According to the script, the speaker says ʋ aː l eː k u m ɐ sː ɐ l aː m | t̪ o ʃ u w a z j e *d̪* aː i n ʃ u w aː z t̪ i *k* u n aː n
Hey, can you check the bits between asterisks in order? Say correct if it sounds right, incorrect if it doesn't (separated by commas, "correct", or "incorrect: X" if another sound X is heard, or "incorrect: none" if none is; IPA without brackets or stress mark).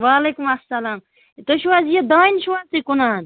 correct, correct